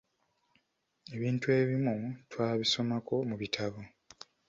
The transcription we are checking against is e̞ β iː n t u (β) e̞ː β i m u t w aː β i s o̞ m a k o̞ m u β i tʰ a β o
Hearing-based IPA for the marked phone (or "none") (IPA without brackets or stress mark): none